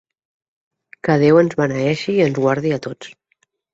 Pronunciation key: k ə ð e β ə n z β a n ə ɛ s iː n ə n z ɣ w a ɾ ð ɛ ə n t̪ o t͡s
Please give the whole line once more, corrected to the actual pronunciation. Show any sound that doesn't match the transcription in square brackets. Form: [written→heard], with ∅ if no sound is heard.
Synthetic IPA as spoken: k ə ð e [β→w] ə n z β a n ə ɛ [s→ʃ] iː [n→∅] ə n z ɣ w a ɾ ð [ɛ→i] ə [n→∅] t̪ o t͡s